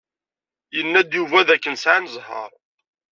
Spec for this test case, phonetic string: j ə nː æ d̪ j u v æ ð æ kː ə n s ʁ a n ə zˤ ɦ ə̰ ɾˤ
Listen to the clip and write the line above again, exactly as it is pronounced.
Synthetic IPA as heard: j ə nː æ d̪ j u v æ ð æ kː ə n s ʕ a n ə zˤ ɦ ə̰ ɾˤ